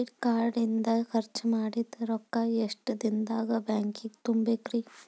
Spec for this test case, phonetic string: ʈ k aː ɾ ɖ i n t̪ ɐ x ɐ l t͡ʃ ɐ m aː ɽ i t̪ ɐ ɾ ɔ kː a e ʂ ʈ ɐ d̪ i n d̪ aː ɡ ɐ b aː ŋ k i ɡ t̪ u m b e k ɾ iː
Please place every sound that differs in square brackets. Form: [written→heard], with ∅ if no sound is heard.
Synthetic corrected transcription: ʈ k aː ɾ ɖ i n [t̪→d̪] ɐ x ɐ [l→ɾ] t͡ʃ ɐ m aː ɽ i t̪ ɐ ɾ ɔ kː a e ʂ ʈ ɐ d̪ i n d̪ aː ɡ ɐ b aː ŋ k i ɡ t̪ u m b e k ɾ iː